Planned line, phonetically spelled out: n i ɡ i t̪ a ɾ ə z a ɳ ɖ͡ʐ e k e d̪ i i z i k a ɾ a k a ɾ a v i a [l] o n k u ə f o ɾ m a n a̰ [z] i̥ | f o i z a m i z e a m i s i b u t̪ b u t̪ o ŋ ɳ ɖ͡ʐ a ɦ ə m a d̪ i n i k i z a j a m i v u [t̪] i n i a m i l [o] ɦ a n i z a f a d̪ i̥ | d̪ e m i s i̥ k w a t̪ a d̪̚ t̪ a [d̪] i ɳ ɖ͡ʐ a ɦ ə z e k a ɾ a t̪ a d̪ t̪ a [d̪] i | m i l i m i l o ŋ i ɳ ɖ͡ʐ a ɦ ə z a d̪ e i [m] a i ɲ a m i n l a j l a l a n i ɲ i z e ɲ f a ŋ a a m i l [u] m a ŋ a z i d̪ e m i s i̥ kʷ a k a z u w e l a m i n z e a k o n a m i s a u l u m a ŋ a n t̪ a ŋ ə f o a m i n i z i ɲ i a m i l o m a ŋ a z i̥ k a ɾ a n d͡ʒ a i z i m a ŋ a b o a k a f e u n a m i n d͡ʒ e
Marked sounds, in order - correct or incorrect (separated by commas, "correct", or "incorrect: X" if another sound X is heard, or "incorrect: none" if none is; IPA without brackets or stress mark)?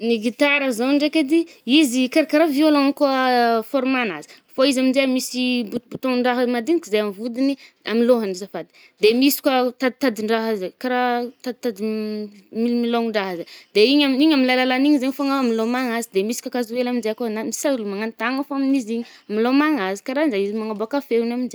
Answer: correct, correct, incorrect: d̪, correct, correct, correct, incorrect: ɲ, incorrect: o